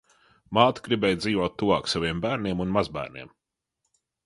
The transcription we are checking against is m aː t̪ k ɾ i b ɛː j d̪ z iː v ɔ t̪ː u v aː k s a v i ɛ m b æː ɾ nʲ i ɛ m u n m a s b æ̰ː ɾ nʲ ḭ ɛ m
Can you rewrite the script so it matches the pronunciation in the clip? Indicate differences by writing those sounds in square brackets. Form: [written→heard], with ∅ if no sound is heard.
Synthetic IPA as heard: m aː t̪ [k→ɡ] ɾ i b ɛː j d̪ z iː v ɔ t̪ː u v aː k s a v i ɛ m b æː ɾ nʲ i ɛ m u n m a [s→z] b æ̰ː ɾ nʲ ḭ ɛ m